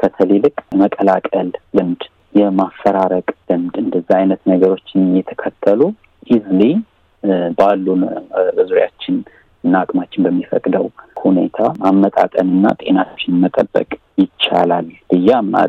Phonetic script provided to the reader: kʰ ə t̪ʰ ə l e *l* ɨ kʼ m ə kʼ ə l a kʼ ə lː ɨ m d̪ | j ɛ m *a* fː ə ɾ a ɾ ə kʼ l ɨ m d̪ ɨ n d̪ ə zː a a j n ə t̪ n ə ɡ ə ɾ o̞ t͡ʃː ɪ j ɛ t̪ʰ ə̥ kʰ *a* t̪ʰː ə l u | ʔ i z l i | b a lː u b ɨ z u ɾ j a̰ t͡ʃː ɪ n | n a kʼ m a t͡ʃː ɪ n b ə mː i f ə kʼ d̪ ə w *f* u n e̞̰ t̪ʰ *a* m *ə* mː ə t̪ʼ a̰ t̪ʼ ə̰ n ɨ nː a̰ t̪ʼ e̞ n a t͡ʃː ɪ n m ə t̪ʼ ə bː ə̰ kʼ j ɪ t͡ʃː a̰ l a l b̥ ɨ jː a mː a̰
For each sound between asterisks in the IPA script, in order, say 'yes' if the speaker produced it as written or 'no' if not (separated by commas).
yes, yes, no, no, yes, no